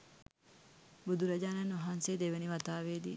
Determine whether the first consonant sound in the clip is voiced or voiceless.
voiced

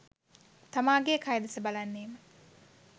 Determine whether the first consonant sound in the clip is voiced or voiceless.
voiceless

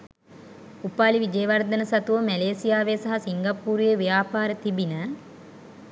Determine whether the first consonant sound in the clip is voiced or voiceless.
voiceless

